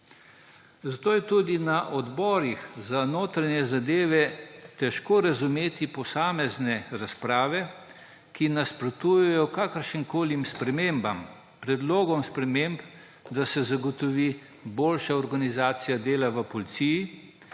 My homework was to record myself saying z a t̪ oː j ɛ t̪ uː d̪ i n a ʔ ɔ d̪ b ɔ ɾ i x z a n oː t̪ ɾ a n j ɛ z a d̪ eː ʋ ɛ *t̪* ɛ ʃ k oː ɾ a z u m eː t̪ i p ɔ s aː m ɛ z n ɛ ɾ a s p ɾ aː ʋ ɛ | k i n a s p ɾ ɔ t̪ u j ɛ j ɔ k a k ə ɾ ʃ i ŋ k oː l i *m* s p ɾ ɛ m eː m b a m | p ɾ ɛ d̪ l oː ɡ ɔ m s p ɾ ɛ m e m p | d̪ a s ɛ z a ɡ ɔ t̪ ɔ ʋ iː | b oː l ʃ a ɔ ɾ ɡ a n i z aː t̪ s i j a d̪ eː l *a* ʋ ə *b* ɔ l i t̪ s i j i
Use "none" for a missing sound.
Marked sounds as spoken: t̪, m, a, p

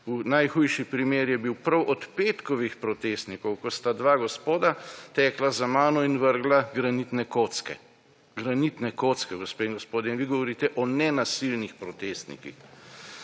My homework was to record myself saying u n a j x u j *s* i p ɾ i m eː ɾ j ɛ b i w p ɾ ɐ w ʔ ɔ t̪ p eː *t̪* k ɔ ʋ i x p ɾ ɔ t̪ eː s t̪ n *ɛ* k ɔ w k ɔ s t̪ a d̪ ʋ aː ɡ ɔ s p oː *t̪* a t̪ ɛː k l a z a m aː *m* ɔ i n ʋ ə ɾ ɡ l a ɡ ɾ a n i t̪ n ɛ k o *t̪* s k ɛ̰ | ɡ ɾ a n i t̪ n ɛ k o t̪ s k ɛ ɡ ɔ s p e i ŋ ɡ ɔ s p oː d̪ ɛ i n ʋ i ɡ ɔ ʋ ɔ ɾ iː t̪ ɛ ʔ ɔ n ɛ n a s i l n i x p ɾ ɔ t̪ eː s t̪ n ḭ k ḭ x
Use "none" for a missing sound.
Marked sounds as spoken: ʃ, t̪, i, d̪, n, t̪

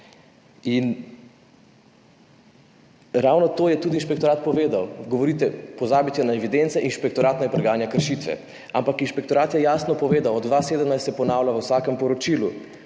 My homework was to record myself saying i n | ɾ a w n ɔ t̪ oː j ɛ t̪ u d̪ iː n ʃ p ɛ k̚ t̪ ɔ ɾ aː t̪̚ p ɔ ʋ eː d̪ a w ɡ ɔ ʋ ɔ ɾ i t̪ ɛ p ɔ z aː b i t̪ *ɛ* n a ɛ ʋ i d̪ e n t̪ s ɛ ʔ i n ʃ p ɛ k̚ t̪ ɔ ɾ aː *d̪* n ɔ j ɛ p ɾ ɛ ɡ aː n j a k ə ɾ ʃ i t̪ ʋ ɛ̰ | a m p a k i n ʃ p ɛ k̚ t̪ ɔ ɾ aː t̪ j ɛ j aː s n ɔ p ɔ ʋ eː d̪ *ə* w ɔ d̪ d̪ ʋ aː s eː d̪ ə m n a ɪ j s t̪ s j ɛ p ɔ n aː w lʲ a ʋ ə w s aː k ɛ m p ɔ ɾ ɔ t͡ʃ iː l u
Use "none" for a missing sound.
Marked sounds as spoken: ɛ, t̪, a

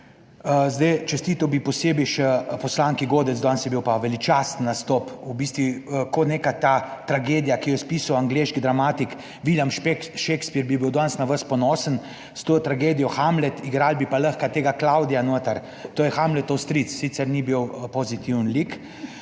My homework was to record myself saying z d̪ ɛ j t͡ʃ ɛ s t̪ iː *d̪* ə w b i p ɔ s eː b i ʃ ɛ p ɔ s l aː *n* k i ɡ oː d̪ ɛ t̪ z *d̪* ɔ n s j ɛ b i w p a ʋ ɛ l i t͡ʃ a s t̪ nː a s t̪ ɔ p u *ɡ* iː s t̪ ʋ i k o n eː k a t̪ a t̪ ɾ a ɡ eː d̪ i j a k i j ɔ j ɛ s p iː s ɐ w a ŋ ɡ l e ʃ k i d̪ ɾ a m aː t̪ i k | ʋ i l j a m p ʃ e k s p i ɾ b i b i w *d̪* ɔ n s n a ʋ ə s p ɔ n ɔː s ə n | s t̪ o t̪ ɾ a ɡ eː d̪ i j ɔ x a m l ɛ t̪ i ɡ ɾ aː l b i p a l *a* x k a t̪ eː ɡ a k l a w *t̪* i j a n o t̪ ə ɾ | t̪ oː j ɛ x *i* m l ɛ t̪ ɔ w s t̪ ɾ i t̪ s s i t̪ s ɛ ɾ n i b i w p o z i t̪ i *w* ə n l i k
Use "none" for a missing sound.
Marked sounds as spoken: t̪, ŋ, d̪, b, d̪, ə, d̪, a, w

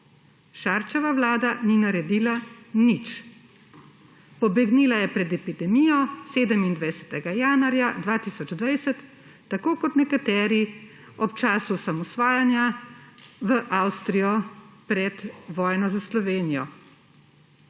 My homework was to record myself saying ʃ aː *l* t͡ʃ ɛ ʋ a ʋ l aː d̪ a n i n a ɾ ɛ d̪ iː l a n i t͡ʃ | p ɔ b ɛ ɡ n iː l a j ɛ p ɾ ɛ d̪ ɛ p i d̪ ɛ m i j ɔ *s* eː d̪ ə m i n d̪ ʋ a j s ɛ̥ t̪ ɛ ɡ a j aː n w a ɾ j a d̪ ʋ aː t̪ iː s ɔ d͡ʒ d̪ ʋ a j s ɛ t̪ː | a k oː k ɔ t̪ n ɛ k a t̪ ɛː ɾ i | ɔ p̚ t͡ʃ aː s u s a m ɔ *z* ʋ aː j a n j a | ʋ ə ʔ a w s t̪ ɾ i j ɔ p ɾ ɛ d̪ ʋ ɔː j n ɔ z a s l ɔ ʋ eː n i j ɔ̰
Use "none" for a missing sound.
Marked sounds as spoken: ɾ, s, s

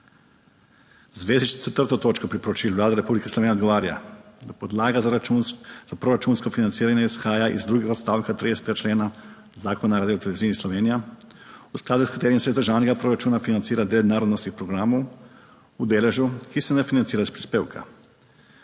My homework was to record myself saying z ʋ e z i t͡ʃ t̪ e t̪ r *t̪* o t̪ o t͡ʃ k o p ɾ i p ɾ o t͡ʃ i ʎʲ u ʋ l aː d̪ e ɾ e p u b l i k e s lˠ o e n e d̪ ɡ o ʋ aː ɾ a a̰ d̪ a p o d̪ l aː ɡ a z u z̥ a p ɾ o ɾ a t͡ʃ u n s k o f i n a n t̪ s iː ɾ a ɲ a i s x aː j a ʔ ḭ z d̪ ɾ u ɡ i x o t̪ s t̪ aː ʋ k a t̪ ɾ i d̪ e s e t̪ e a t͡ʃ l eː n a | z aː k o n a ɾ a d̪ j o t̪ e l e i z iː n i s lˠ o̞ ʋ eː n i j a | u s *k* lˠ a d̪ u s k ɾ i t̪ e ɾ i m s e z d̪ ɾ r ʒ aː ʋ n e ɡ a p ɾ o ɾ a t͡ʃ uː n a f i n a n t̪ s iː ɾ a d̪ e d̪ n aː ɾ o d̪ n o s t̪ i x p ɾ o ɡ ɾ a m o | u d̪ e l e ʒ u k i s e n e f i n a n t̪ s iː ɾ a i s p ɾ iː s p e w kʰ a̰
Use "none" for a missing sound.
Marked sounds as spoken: t̪, k

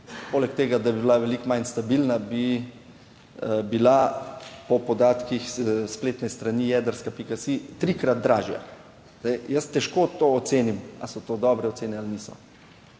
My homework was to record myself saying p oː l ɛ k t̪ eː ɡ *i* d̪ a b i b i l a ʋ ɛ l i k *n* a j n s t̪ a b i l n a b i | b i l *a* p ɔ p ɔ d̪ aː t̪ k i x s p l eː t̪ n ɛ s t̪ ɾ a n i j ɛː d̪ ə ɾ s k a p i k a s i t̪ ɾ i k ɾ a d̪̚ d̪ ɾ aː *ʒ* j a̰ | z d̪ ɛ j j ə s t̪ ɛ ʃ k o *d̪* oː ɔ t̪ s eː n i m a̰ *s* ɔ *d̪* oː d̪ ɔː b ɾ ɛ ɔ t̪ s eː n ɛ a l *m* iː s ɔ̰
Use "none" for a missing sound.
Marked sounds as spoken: a, m, a, ʒ, t̪, s, t̪, n

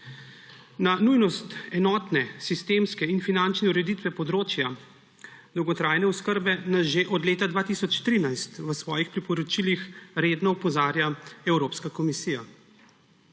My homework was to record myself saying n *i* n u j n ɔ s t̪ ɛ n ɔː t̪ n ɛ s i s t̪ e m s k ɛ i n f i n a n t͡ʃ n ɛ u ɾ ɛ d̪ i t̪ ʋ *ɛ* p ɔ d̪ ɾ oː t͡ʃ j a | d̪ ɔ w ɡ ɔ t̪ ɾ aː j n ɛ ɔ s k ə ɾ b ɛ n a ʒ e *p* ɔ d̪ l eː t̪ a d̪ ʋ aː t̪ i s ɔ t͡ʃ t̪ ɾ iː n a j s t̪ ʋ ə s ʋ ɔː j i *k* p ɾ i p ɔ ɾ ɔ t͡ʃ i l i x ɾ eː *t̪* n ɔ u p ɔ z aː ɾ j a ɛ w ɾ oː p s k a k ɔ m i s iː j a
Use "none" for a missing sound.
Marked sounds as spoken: a, ɛ, ʔ, x, d̪

